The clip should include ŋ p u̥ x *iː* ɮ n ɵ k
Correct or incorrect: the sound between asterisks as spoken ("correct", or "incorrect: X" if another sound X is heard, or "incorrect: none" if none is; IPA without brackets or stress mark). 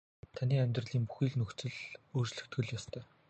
correct